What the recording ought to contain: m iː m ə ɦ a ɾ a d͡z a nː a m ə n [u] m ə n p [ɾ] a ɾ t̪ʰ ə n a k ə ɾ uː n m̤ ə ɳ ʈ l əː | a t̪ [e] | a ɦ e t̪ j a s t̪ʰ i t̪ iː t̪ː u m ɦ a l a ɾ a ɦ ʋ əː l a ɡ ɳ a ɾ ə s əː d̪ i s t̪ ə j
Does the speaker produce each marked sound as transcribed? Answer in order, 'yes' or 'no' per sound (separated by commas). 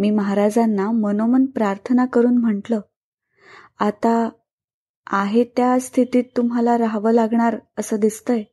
no, yes, no